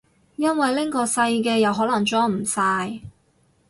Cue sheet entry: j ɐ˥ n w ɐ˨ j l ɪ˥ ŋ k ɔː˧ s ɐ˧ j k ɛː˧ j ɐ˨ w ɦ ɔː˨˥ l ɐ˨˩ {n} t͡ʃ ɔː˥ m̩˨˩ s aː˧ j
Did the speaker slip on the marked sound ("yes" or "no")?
yes